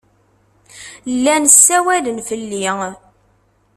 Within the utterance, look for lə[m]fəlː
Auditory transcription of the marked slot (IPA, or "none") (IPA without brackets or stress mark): n